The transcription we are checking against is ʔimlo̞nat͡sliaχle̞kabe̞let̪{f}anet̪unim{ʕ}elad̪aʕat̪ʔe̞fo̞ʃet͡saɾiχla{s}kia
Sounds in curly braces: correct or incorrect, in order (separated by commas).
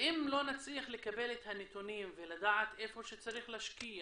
incorrect, incorrect, incorrect